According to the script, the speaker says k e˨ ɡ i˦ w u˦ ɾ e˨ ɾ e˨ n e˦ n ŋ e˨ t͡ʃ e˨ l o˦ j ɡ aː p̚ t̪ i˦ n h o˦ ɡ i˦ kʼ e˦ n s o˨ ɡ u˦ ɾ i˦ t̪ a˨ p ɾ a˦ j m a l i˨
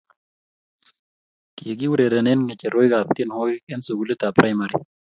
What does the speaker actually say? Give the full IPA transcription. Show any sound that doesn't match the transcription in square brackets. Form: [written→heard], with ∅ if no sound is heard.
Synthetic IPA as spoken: k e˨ ɡ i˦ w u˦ ɾ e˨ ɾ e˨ n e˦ n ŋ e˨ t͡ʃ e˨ [l→ɾ] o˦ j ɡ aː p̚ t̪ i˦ n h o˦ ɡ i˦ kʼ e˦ n s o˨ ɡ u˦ [ɾ→l] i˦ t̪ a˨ p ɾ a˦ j m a [l→ɾ] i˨